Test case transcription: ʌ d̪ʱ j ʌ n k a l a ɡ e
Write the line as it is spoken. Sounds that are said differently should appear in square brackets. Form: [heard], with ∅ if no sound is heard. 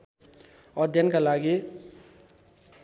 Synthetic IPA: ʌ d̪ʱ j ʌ n k a l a ɡ [i]